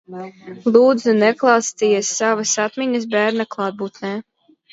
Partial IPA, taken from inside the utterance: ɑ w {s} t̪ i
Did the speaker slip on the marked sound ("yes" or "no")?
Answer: no